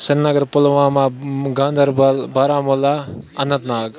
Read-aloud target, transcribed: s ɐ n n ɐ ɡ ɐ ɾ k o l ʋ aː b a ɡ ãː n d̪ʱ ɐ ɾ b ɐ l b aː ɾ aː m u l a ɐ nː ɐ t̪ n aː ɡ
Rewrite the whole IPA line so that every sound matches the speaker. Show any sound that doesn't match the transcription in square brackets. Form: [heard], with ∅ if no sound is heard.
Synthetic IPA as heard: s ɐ n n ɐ ɡ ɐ ɾ [p] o l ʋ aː [m] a ɡ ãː n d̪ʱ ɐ ɾ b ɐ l b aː ɾ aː m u l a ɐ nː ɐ t̪ n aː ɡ